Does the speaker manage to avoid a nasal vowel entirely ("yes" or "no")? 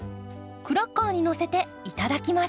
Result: yes